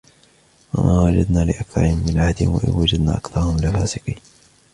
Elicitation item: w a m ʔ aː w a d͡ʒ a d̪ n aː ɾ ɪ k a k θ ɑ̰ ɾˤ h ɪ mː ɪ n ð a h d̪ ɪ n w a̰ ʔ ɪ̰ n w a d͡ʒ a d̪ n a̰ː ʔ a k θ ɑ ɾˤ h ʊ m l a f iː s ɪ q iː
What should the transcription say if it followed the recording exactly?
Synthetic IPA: w a m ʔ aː w a d͡ʒ a d̪ n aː l ɪ ʔ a k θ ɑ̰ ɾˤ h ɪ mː ɪ n ʕ a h d̪ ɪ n w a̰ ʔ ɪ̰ n w a d͡ʒ a d̪ n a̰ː ʔ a k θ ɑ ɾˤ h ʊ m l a f aː s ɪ q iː